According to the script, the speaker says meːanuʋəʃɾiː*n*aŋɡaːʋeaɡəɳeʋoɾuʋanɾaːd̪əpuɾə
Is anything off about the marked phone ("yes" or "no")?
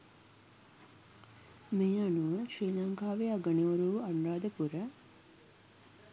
no